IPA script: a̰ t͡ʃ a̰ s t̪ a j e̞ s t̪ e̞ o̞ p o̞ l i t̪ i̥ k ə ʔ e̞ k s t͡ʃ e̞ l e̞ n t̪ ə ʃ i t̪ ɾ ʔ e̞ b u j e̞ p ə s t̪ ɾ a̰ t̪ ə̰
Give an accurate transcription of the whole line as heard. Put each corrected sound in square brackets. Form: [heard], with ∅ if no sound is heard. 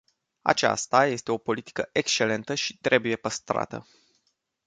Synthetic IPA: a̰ t͡ʃ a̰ s t̪ a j e̞ s t̪ e̞ o̞ p o̞ l i t̪ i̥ k ə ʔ e̞ k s t͡ʃ e̞ l e̞ n t̪ ə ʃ i t̪ ɾ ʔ e̞ b u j e̞ p ə s t̪ ɾ a̰ t̪ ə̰

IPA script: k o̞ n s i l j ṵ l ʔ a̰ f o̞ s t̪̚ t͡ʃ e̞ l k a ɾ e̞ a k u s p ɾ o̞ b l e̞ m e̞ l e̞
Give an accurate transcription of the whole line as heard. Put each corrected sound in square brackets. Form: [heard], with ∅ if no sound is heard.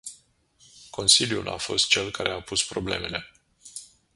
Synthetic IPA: k o̞ n s i l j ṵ l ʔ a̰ f o̞ s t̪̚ t͡ʃ e̞ l k a ɾ e̞ a [p] u s p ɾ o̞ b l e̞ m e̞ l e̞

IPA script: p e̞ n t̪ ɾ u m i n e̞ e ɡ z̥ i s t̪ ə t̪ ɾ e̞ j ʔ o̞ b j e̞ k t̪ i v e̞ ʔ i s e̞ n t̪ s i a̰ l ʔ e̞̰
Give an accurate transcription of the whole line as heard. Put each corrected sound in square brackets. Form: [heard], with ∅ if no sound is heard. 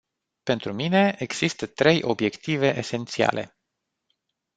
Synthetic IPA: p e̞ n t̪ ɾ u m i n e̞ e ɡ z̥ i s t̪ ə t̪ ɾ e̞ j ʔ o̞ b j e̞ k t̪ i v e̞ ʔ [e] s e̞ n t̪ s i a̰ l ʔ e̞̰

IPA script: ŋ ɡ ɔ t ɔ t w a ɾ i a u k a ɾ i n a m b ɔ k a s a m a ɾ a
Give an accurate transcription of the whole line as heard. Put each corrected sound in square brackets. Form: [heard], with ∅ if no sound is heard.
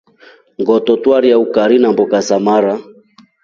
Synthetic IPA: ŋ ɡ ɔ t ɔ t w a ɾ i a u k a ɾ i n a m b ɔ k a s a m a ɾ a

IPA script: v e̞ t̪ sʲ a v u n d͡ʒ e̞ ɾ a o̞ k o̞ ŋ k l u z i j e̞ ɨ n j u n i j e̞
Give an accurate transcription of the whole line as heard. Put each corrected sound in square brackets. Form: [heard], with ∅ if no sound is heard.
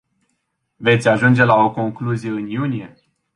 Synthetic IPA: v e̞ t̪ sʲ a [ʒ] u n d͡ʒ e̞ [l] a o̞ k o̞ ŋ k l u z i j e̞ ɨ n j u n i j e̞

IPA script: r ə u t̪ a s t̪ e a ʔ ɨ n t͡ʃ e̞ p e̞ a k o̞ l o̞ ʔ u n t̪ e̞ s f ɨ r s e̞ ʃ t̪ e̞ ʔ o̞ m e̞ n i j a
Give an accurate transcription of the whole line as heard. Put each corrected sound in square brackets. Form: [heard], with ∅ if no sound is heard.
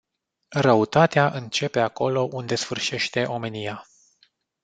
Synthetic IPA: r ə u t̪ a [∅] t̪ e a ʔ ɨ n t͡ʃ e̞ p e̞ a k o̞ l o̞ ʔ u n [d̪] e̞ s f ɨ r [ʃ] e̞ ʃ t̪ e̞ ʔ o̞ m e̞ n i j a

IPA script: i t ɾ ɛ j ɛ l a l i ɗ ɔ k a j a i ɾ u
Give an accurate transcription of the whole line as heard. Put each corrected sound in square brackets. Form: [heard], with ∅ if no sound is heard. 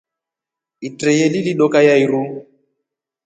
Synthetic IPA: i t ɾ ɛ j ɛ l [i] l i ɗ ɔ k a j a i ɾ u

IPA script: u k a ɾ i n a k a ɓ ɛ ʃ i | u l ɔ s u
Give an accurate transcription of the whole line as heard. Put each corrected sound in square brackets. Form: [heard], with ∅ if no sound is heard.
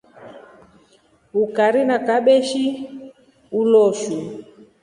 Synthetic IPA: u k a ɾ i n a k a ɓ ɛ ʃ i | u l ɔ [ʃ] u

